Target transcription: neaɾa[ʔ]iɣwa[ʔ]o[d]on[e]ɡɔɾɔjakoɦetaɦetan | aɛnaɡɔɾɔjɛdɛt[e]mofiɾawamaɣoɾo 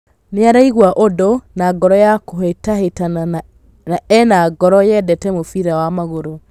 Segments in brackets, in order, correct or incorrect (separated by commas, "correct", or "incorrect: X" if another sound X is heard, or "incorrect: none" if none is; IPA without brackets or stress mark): incorrect: none, correct, correct, incorrect: a, incorrect: ɛ